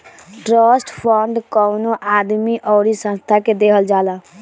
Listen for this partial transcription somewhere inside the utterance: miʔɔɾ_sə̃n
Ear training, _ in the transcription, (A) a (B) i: B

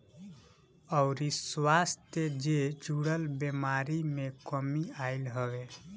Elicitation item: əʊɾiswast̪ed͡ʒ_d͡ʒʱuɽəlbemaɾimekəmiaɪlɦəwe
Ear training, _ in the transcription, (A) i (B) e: B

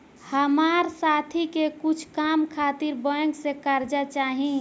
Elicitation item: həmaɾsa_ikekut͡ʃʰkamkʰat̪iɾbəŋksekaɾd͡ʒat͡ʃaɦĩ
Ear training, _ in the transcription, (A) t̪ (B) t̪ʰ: B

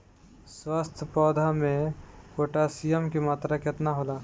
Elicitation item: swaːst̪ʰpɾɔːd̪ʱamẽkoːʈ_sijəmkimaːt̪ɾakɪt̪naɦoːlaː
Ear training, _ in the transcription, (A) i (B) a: B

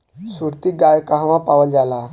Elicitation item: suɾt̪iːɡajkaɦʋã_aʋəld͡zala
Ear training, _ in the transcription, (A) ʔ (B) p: B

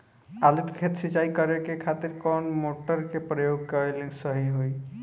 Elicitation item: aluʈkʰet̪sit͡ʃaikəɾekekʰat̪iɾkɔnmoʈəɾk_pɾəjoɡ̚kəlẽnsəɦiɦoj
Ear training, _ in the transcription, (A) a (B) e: B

